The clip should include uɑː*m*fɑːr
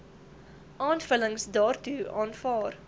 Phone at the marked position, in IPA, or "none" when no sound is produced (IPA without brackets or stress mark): n